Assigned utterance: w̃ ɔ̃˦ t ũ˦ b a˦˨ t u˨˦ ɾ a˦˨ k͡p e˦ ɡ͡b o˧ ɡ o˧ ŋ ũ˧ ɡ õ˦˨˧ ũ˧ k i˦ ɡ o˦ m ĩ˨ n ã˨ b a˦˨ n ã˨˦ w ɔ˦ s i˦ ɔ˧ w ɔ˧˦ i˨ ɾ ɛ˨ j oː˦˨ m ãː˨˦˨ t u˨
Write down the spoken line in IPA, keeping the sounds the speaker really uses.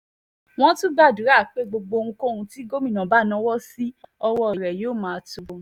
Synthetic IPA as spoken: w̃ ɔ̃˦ t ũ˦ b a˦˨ d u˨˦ ɾ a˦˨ k͡p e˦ ɡ͡b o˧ ɡ͡b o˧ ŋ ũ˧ k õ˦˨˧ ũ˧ t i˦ ɡ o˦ m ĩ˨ n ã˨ b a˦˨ n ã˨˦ w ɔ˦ s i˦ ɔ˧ w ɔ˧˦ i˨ ɾ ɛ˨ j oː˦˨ m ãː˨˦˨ t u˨